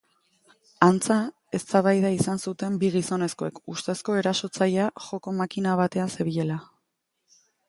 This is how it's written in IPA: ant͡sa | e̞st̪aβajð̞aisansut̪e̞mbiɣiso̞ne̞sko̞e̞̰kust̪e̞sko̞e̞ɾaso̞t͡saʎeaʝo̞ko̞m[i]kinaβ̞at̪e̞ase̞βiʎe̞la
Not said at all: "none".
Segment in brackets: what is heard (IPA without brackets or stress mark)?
a